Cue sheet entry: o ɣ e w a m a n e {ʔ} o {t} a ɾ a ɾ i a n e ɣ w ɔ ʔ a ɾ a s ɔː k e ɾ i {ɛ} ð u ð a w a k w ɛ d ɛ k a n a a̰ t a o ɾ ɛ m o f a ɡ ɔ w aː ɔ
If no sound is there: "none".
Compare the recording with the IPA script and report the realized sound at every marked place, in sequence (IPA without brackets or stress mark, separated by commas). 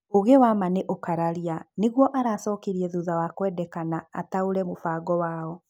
ʔ, k, ɛ